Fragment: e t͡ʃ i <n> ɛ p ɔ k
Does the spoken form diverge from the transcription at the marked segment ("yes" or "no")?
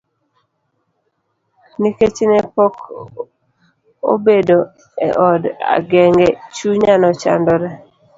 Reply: no